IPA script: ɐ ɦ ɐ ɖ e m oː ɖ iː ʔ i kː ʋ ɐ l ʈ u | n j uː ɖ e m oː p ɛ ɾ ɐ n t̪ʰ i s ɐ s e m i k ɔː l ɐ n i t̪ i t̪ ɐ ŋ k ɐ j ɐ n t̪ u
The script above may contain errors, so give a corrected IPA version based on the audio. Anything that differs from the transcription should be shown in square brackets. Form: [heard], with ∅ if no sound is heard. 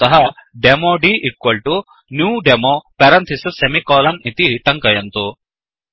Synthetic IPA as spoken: ɐ ɦ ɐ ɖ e m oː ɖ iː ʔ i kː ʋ ɐ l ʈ u | n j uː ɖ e m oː p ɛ ɾ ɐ n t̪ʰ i s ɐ s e m i k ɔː l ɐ n i t̪ i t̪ ɐ ŋ k ɐ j ɐ n t̪ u